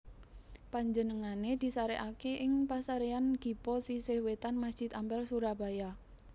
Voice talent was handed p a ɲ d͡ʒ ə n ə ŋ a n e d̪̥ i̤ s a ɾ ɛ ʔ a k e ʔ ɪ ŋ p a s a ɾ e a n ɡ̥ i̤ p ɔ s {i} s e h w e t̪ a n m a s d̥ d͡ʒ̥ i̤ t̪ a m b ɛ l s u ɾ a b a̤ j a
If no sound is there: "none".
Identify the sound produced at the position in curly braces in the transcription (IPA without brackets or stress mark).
i